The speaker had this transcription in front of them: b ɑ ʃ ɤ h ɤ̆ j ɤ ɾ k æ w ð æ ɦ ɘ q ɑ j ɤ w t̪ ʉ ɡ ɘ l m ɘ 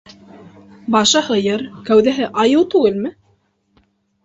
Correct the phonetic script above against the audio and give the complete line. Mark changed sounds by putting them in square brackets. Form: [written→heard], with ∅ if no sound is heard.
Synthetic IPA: b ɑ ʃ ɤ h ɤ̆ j ɤ ɾ k æ w ð æ ɦ ɘ [q→ʔ] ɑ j ɤ w t̪ ʉ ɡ ɘ l m ɘ